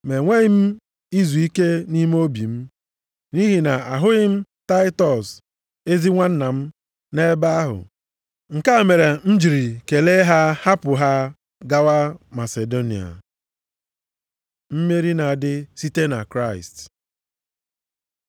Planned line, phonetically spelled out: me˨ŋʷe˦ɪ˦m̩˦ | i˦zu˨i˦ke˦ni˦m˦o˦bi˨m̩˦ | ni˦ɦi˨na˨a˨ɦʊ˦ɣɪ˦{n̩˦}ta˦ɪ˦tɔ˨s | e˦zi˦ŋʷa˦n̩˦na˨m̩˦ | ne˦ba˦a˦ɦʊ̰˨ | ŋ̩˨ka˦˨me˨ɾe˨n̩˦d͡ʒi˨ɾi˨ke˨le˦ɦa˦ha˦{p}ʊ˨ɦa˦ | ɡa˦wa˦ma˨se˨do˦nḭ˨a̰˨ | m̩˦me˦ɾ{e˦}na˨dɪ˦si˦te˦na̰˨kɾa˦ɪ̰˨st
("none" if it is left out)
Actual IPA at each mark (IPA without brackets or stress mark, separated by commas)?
m̩˦, p, i˦